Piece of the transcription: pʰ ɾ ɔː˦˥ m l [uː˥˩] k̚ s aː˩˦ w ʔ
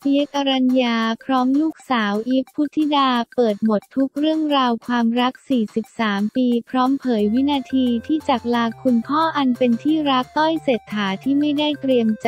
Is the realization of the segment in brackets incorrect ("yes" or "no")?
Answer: no